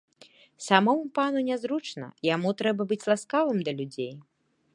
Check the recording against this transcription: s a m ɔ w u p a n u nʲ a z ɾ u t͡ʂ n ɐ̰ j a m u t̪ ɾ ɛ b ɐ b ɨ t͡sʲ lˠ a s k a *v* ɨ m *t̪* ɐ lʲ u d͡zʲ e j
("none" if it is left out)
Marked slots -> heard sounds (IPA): v, d̪

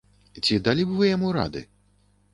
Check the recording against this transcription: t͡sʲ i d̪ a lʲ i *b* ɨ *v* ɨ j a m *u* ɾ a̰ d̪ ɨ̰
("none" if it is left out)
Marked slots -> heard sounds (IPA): b, v, u

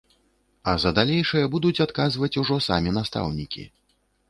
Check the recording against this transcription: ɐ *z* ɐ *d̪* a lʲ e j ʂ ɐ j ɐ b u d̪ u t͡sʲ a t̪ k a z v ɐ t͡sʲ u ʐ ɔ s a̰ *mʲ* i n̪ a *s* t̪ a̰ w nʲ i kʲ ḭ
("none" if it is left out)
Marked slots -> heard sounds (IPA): z, d̪, mʲ, s

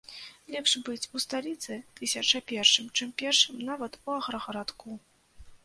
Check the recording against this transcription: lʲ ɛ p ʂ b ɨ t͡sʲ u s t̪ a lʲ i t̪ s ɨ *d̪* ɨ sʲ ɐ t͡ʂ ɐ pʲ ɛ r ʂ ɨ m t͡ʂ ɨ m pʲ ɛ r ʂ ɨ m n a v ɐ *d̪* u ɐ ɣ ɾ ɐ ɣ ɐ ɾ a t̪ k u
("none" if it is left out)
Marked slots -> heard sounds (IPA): t̪, t̪

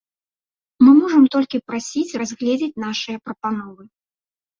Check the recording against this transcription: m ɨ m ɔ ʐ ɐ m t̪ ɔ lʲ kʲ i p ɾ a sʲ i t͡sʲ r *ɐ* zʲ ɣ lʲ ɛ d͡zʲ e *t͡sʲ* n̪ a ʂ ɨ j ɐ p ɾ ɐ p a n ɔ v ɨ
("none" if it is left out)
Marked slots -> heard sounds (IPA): a, t͡sʲ

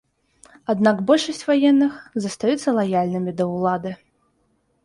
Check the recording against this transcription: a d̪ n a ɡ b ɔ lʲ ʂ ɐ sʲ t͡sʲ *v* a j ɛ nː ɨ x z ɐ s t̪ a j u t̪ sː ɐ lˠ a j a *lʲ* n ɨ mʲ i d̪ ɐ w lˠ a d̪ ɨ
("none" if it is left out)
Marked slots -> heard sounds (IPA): v, lʲ

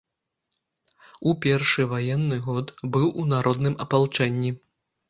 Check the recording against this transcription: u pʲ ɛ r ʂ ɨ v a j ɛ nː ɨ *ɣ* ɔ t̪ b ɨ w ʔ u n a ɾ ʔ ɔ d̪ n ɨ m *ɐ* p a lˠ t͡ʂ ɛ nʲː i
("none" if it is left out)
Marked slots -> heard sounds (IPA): ɣ, ɐ

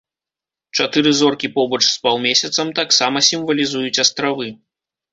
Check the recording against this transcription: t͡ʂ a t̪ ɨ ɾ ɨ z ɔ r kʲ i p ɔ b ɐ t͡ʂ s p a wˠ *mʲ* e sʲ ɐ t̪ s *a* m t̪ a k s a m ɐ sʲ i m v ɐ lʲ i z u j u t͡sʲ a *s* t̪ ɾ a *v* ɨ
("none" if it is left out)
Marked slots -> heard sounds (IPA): mʲ, ɐ, s, v

